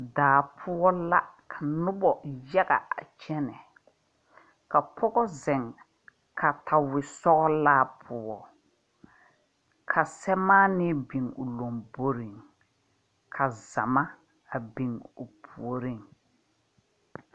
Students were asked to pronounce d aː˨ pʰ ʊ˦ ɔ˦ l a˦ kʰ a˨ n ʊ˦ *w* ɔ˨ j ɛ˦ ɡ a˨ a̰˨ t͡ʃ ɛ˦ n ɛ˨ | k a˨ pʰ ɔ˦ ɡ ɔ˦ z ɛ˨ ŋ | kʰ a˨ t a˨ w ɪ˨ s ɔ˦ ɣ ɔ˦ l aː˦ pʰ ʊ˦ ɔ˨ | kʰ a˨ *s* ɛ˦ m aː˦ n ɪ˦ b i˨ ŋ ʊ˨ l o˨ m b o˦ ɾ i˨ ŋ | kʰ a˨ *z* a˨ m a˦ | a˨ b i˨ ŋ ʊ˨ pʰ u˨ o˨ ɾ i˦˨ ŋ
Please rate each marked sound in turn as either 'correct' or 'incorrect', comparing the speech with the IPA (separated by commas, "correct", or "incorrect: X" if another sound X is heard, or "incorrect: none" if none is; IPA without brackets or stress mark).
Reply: incorrect: b, correct, correct